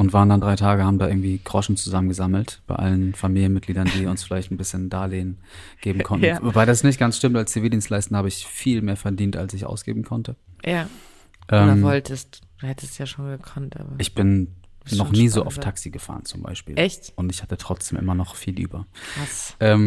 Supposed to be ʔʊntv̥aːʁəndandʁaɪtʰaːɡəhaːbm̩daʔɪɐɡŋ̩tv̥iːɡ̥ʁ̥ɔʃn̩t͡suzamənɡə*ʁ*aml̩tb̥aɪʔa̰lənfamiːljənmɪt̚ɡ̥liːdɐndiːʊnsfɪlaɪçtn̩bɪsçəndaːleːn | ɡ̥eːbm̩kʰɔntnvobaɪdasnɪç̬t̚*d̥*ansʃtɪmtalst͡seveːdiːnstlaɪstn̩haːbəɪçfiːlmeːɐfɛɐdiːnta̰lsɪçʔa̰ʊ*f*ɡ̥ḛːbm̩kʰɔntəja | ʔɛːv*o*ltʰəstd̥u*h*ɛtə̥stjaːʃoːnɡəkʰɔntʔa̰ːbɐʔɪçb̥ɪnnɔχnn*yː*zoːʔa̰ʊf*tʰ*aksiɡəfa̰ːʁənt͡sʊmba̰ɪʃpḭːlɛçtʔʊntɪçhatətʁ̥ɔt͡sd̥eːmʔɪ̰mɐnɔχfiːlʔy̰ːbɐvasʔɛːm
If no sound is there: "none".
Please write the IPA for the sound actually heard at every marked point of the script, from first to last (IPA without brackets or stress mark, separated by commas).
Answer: z, ɡ̥, s, ɔ, h, iː, tʰ